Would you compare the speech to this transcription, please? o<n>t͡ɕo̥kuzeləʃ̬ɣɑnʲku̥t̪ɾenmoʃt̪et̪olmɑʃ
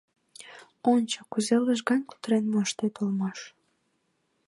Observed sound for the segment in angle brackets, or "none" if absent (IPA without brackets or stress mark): n